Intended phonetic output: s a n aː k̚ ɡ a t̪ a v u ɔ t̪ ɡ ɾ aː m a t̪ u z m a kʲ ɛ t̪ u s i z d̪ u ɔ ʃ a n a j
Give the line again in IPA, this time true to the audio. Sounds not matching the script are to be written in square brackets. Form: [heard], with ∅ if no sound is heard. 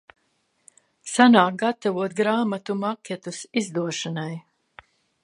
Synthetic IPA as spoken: s a n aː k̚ ɡ a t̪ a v u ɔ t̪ ɡ ɾ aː m a t̪ u [∅] m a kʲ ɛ t̪ u s i z d̪ u ɔ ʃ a n a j